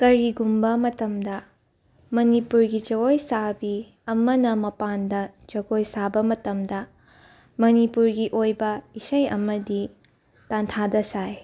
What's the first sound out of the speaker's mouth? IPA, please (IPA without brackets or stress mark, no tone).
k